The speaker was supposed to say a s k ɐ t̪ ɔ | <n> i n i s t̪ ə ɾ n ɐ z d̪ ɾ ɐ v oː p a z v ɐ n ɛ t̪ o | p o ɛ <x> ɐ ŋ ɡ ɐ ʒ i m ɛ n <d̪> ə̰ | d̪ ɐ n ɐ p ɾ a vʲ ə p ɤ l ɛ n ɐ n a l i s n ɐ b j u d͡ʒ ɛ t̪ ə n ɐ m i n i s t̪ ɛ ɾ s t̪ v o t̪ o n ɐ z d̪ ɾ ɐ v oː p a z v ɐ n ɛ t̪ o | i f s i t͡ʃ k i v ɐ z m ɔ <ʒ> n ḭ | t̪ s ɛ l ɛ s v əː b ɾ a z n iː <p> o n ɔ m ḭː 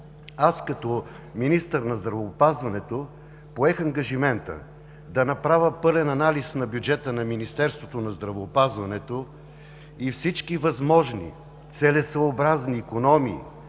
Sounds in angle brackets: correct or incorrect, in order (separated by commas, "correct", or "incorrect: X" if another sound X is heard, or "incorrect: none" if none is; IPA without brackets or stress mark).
incorrect: m, correct, incorrect: t̪, correct, incorrect: k